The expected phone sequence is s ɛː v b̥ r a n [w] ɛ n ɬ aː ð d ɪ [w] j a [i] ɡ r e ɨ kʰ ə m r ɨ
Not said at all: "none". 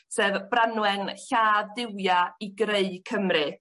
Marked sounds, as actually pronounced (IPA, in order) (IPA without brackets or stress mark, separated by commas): w, w, i